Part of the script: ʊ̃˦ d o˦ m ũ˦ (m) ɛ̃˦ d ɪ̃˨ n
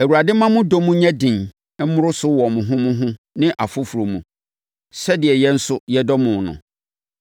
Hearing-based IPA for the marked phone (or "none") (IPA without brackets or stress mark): ɲ